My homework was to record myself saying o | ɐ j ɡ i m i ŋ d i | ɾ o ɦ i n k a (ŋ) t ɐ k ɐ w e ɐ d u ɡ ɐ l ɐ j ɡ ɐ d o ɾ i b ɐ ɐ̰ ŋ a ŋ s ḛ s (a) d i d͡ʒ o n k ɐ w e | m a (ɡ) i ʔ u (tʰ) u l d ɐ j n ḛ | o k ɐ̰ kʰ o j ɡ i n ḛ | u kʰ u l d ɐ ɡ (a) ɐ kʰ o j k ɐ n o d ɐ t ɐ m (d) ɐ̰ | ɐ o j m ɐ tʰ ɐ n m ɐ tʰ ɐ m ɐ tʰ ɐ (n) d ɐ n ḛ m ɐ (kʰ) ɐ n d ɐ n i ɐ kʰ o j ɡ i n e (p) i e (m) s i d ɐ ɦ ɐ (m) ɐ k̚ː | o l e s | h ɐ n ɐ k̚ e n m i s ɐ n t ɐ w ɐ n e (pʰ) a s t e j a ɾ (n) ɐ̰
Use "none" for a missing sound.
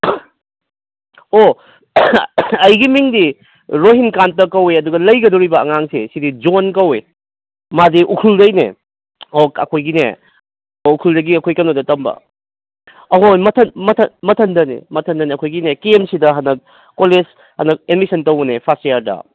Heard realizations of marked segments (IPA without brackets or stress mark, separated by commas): n, i, d, kʰ, i, b, n, tʰ, k, m, n, pʰ, d